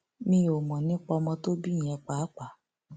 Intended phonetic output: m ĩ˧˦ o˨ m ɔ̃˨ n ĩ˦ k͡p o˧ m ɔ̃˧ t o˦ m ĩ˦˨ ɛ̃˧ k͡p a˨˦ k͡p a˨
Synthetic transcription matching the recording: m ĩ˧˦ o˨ m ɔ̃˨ n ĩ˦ k͡p ɔ˧ m ɔ̃˧ t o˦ b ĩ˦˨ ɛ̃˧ k͡p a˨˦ k͡p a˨